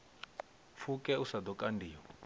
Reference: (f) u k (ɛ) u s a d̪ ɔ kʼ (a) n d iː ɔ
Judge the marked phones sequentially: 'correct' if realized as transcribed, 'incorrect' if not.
correct, correct, correct

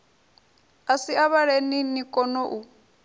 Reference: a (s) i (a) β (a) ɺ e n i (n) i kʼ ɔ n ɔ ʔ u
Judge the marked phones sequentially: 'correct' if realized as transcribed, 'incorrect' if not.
correct, correct, correct, correct

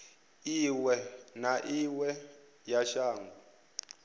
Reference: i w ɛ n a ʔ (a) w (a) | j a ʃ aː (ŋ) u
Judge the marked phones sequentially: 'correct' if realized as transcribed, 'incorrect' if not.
incorrect: i, incorrect: ɛ, correct

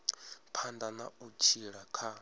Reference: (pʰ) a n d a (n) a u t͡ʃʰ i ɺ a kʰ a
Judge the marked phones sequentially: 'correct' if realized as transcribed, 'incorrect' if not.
correct, correct

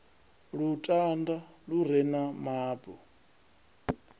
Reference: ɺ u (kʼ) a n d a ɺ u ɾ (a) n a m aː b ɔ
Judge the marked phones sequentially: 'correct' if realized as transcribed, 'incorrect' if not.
incorrect: tʼ, incorrect: ɛ

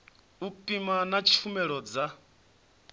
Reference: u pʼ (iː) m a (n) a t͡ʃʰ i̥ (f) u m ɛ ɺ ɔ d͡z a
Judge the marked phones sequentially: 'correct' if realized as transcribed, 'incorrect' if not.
incorrect: i, correct, correct

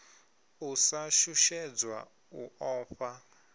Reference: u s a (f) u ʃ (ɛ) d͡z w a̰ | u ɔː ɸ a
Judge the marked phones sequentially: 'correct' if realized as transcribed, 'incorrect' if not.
incorrect: ʃ, correct

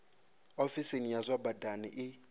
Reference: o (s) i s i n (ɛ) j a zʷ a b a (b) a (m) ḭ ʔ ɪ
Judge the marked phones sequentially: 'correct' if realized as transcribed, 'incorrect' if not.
incorrect: f, incorrect: i, incorrect: d, incorrect: n

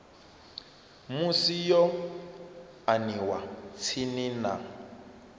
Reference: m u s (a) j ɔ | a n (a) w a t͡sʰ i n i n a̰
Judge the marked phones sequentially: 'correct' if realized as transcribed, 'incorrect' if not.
incorrect: i, incorrect: i

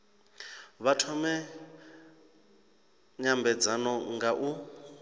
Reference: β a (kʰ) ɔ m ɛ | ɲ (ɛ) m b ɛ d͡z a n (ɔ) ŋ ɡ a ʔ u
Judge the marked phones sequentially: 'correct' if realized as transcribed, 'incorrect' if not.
incorrect: tʰ, incorrect: a, correct

